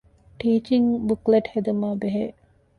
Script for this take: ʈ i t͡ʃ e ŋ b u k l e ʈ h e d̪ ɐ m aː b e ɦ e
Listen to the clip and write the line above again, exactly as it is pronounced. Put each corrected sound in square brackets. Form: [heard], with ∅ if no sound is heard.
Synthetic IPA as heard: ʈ [iː] t͡ʃ [i] ŋ b u k l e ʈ h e d̪ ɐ m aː b e ɦ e